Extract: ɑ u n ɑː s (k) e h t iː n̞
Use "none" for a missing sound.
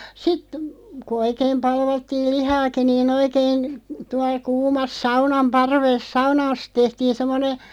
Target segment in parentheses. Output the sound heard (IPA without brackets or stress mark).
t